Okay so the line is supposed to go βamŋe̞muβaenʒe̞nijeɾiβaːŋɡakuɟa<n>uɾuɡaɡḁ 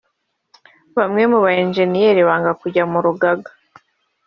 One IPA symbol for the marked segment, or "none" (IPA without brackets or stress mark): m